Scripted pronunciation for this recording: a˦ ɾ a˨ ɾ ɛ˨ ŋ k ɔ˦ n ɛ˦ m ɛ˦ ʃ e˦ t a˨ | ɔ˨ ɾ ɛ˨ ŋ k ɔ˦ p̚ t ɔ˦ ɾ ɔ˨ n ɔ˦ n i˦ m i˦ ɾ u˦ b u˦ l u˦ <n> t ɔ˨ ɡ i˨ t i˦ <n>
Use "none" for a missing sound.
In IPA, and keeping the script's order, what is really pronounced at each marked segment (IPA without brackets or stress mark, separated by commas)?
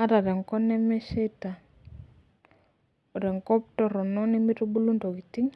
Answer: n, ŋ